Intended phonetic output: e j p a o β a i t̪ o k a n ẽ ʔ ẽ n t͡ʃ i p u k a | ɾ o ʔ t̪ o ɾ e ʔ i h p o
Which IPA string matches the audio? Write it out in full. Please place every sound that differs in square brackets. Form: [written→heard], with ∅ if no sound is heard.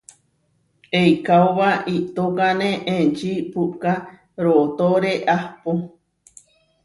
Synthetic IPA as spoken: e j [p→k] a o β a i t̪ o k a n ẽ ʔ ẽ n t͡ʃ i p u k a | ɾ o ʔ t̪ o ɾ e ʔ [i→a] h p o